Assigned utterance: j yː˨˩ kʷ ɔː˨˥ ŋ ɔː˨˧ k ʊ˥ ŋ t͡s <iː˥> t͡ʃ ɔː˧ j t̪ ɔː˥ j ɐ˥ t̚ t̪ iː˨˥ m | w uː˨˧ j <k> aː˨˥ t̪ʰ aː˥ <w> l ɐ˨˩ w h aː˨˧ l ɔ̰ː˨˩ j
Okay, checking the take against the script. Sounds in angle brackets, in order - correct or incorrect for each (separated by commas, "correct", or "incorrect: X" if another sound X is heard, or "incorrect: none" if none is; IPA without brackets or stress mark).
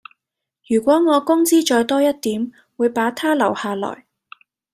correct, incorrect: p, incorrect: none